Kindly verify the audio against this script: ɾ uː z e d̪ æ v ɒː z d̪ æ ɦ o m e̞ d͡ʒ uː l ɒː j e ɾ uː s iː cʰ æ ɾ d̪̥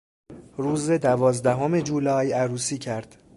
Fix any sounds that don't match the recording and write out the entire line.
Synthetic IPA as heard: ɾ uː z e d̪ æ v ɒː z d̪ æ ɦ o m e̞ d͡ʒ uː l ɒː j æ ɾ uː s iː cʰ æ ɾ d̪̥